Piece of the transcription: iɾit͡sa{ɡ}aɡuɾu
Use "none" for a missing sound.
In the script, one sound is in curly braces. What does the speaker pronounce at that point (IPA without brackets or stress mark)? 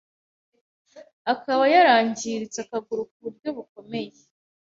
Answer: k